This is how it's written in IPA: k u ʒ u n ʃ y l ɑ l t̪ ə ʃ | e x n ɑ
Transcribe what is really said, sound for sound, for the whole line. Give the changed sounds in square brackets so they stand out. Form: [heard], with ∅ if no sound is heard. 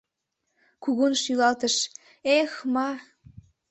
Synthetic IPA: k u [ɣ] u n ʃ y l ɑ l t̪ ə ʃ | e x [m] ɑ